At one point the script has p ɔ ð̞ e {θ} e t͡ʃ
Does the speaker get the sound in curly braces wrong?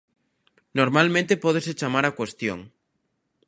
yes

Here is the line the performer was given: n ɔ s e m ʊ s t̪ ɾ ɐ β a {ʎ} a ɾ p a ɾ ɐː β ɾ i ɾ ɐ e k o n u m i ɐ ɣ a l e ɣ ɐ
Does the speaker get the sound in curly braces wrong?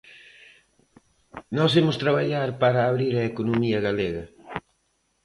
no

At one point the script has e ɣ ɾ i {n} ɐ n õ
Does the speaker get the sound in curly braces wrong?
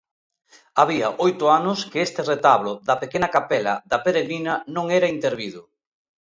no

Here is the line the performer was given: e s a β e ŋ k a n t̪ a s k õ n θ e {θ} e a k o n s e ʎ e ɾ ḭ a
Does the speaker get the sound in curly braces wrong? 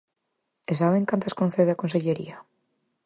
yes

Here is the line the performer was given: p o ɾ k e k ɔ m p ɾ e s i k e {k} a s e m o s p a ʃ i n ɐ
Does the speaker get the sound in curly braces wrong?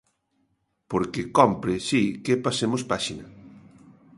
yes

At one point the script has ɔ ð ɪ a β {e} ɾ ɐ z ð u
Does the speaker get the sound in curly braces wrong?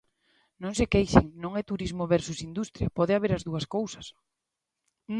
no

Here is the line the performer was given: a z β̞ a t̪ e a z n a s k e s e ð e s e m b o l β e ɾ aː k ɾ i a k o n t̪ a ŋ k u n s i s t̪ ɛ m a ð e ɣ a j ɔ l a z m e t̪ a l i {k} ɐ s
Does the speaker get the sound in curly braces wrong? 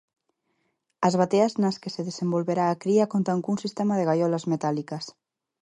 no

